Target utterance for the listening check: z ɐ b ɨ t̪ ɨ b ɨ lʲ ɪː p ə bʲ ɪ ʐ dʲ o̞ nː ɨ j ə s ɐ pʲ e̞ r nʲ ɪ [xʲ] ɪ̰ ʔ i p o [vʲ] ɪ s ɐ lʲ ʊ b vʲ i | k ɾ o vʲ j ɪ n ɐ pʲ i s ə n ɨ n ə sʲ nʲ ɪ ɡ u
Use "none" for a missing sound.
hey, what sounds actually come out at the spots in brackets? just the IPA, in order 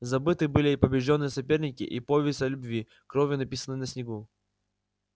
kʲ, vʲ

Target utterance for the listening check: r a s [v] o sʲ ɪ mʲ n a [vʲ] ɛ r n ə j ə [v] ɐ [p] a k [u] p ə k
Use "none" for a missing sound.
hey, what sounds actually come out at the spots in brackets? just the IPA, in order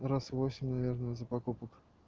v, vʲ, z, p, u

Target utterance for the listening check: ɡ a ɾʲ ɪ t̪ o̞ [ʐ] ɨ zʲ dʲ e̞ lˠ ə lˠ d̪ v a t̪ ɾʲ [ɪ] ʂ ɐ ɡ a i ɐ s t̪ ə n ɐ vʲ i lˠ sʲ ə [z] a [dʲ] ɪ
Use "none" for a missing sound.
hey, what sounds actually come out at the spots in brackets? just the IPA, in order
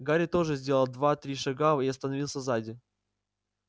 ʐ, i, z, dʲ

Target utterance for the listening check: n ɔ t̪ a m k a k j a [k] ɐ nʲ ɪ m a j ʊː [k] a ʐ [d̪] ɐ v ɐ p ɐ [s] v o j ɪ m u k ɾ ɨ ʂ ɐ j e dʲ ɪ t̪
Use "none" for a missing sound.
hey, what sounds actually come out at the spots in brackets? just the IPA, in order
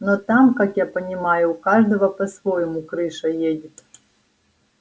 p, k, d̪, s

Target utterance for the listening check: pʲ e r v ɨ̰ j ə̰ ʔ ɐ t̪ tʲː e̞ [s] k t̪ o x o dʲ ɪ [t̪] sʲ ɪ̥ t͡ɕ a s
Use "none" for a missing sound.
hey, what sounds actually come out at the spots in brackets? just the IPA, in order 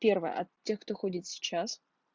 x, t̪

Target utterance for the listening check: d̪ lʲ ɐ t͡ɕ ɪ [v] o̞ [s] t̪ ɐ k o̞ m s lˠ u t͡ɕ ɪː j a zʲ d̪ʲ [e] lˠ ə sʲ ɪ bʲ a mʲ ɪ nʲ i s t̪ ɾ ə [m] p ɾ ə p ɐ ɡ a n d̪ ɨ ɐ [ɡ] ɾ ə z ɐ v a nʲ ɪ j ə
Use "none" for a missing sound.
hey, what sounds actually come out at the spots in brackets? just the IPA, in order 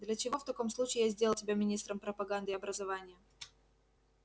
v, f, e, m, b

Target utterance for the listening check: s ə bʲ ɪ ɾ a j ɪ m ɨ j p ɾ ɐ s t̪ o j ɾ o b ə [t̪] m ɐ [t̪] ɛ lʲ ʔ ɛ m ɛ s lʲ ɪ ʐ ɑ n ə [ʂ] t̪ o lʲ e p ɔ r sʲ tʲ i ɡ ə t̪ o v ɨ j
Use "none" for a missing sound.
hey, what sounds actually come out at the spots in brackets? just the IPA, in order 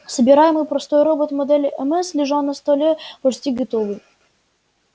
t̪, d̪, s

